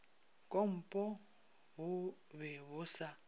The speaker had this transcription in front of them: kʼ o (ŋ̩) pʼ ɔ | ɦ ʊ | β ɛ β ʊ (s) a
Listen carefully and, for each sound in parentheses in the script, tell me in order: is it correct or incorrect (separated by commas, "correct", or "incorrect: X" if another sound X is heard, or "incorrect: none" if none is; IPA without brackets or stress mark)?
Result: incorrect: m̩, correct